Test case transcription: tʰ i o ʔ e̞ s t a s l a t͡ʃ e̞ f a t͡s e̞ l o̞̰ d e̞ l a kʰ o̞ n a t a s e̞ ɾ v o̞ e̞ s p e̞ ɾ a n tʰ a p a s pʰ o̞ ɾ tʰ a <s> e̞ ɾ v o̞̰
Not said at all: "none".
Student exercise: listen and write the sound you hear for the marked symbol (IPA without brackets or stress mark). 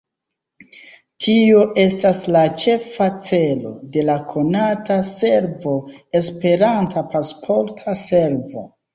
s